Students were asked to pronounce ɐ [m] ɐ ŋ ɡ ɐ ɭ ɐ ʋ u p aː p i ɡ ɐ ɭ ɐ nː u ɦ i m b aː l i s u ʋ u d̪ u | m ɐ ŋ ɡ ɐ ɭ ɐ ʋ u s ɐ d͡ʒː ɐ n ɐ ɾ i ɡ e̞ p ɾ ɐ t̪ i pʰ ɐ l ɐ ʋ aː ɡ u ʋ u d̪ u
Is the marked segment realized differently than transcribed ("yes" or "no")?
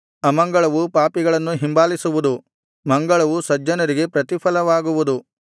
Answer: no